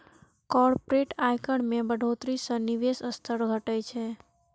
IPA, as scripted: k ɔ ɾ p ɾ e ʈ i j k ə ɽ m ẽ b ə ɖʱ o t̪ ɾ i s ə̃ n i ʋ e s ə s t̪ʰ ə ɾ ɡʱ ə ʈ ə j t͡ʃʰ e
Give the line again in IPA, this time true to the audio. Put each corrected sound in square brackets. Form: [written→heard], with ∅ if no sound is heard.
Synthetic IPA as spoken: k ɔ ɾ p ɾ e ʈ [i→a] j k ə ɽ m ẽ b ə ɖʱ o t̪ ɾ i s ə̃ n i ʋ e s ə s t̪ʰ ə ɾ ɡʱ ə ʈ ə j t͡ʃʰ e